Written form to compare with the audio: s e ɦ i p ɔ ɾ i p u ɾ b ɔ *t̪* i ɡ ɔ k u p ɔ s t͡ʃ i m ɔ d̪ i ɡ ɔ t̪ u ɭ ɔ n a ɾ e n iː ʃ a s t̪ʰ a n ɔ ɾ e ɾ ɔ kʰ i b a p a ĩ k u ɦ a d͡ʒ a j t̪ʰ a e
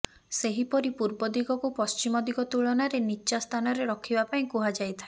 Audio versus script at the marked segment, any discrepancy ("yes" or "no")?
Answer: yes